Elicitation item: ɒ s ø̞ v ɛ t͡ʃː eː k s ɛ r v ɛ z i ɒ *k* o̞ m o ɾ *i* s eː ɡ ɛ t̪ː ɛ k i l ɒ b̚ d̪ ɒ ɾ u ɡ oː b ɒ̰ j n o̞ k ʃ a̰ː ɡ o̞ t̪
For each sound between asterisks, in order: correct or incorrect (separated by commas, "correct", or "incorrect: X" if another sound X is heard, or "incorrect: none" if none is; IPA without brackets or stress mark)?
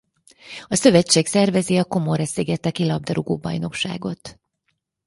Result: correct, incorrect: ɛ